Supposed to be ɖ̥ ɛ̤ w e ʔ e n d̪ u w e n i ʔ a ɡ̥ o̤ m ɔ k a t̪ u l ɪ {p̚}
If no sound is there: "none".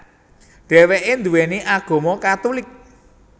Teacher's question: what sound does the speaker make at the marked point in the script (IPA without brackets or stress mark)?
k̚